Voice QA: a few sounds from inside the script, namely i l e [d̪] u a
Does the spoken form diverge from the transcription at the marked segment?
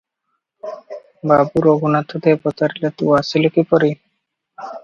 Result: yes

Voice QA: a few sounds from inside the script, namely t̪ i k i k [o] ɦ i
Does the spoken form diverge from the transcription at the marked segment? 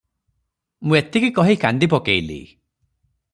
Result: yes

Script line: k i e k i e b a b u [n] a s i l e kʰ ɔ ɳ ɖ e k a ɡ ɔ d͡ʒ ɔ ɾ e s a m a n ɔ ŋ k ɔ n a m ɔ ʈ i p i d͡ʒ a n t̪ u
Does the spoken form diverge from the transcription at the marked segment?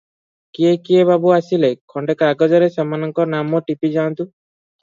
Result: yes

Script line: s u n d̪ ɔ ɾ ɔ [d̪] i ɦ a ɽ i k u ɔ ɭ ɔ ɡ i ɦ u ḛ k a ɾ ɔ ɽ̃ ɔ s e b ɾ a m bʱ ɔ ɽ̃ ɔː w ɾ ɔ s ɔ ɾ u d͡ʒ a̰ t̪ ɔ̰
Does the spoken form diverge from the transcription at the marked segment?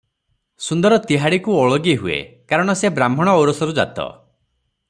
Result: yes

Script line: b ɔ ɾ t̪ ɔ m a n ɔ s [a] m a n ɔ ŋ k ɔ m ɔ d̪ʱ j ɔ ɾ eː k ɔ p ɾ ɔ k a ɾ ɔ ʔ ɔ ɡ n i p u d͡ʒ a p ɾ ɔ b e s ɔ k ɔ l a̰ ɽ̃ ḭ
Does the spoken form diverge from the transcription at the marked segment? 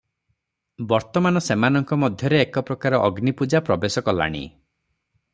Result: yes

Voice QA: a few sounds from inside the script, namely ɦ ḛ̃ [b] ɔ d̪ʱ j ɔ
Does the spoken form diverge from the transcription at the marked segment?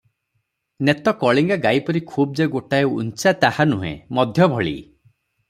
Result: yes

